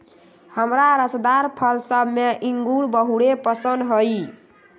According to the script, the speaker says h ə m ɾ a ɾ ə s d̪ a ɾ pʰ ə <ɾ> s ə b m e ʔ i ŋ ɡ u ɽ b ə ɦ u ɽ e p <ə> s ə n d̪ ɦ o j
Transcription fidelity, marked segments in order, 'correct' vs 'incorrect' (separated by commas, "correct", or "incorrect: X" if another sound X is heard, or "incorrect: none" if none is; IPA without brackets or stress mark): incorrect: l, correct